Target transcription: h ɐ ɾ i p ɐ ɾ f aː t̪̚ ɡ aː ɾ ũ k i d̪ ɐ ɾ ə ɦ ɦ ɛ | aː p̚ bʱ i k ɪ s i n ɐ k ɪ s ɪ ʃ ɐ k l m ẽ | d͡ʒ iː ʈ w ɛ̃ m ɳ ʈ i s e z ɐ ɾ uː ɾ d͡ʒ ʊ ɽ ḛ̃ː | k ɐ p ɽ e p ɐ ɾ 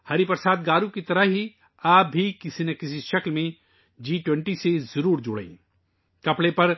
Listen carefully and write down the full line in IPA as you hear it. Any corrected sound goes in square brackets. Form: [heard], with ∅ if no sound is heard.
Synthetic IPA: h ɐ ɾ i p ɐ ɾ [s] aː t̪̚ ɡ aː ɾ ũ k i [t̪] ɐ ɾ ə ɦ ɦ [i] | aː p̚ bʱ i k ɪ s i n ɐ k ɪ s [i] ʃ ɐ k l m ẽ | d͡ʒ iː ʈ w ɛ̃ [∅] ɳ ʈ i s e z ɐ ɾ uː ɾ d͡ʒ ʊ ɽ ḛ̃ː | k ɐ p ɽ e p ɐ ɾ